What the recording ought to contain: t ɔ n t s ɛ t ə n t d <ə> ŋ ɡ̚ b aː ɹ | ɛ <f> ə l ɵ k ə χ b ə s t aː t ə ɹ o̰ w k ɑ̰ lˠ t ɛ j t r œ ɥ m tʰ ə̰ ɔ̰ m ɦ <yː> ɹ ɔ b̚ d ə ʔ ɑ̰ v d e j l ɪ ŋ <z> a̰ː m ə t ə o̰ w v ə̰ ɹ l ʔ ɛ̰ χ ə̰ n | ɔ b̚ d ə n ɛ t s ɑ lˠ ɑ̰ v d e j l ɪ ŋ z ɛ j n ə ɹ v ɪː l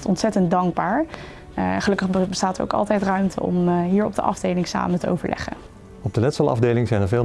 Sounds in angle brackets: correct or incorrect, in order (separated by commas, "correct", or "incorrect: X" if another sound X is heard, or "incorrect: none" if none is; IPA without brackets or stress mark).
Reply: incorrect: ɑ, incorrect: χ, incorrect: iː, incorrect: s